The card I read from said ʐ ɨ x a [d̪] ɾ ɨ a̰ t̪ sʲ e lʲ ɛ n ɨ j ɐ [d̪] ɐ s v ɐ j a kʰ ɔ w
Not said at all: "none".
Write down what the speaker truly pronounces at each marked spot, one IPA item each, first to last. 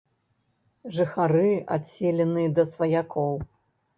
none, d̪

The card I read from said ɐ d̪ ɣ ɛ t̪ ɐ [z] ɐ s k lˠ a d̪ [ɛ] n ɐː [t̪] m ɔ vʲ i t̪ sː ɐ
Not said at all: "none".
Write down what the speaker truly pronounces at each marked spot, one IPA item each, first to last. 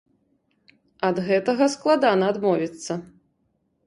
ɣ, a, d̪

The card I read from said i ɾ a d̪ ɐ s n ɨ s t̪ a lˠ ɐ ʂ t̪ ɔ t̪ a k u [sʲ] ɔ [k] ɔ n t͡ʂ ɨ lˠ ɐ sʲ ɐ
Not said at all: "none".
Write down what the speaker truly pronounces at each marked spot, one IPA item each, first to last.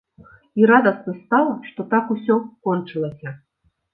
sʲ, k

